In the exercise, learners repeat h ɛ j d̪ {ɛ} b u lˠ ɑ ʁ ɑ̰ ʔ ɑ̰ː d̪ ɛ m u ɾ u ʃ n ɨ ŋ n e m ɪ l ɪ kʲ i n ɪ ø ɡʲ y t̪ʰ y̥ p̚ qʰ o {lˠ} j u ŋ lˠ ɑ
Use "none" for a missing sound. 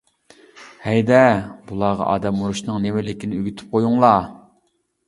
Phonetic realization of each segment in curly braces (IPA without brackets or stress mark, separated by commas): ɛ, none